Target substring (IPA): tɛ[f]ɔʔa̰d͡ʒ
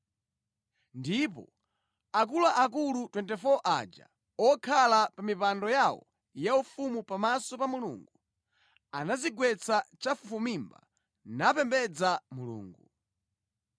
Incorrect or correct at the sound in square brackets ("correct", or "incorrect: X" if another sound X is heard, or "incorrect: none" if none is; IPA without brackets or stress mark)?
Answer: correct